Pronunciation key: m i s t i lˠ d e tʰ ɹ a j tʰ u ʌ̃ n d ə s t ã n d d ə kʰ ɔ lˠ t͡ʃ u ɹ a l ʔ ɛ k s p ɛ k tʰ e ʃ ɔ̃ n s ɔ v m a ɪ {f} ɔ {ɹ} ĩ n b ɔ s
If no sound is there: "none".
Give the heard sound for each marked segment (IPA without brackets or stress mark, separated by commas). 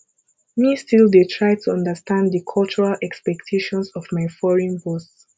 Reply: f, ɹ